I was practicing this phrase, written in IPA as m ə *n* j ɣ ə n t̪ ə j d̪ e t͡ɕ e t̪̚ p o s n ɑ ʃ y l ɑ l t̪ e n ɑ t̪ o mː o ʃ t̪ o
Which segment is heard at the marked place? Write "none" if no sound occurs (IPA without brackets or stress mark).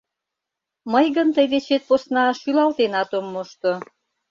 none